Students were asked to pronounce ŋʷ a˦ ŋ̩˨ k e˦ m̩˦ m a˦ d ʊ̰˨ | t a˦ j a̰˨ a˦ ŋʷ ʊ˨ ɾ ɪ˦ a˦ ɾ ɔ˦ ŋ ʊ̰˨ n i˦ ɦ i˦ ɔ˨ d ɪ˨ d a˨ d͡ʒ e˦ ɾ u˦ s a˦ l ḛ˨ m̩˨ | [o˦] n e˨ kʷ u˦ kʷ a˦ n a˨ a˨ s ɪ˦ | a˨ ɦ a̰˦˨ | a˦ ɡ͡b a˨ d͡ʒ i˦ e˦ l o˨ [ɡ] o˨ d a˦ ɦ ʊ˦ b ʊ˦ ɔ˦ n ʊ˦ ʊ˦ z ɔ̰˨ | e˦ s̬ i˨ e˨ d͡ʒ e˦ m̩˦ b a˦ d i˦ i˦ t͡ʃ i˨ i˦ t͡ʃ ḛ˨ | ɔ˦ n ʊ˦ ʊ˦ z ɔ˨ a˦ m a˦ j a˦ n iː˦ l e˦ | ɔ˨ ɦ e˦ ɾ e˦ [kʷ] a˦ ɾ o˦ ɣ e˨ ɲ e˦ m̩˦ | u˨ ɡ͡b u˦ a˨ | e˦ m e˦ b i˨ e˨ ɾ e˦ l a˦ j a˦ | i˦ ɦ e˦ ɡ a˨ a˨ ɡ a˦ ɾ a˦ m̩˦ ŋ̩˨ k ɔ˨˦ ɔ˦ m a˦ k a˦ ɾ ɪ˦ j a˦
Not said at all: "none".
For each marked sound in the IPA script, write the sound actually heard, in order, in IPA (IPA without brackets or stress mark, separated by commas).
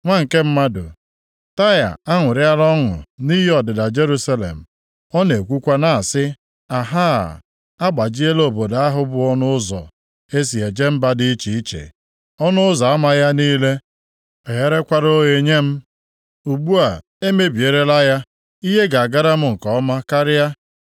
ɔ˦, b, kʷ